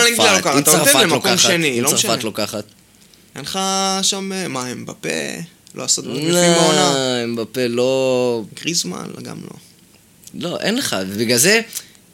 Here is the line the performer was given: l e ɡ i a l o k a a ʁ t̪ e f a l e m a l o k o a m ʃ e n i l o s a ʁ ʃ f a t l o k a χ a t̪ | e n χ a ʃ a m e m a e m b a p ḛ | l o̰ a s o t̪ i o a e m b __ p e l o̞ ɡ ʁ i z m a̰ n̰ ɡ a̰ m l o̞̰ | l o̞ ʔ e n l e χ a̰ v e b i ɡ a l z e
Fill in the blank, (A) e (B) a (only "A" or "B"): B